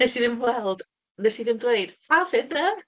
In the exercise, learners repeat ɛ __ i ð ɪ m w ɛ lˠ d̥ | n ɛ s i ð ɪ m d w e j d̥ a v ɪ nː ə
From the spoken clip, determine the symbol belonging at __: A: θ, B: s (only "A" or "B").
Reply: B